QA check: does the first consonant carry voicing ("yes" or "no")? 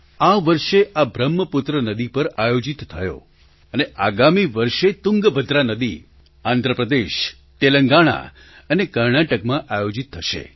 yes